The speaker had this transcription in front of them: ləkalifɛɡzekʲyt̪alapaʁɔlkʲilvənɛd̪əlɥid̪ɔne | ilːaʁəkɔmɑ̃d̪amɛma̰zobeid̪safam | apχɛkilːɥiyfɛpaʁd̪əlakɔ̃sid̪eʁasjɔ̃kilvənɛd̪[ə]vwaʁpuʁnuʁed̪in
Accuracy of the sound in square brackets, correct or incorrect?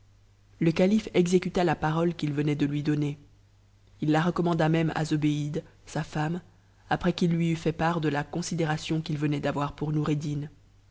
incorrect